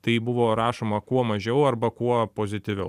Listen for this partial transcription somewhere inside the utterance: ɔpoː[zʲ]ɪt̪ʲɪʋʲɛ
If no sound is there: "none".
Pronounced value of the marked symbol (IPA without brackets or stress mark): zʲ